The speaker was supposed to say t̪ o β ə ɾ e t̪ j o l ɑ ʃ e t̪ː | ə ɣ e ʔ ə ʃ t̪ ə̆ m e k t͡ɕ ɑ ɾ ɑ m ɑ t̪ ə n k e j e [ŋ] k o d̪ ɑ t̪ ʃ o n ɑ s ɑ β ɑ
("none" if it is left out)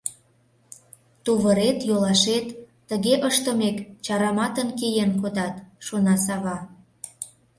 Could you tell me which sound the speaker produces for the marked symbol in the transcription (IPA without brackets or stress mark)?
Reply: n